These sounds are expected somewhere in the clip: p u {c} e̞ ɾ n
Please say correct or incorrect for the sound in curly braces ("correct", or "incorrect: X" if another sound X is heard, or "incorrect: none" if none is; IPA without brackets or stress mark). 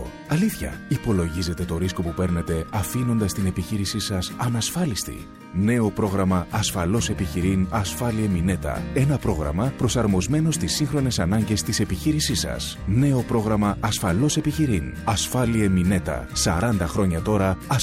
incorrect: p